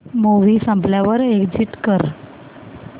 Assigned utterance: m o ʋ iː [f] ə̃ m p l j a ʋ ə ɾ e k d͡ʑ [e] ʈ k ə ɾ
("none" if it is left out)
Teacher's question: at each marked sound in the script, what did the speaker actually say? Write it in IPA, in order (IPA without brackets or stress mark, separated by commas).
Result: s, i